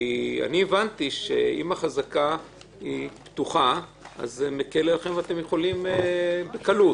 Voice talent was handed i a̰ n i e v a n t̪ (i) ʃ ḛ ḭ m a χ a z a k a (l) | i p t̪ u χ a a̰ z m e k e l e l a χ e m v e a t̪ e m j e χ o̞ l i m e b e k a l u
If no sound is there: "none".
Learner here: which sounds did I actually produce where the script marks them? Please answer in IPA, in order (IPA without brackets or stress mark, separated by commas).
i, none